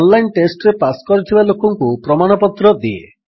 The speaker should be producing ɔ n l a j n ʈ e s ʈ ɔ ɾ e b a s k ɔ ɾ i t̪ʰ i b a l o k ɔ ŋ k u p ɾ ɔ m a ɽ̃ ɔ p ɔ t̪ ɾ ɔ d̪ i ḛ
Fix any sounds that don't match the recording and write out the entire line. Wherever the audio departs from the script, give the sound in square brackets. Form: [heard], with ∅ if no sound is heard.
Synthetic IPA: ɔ n l a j n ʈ e s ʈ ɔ ɾ e [p] a s k ɔ ɾ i t̪ʰ i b a l o k ɔ ŋ k u p ɾ ɔ m a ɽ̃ ɔ p ɔ t̪ ɾ ɔ d̪ i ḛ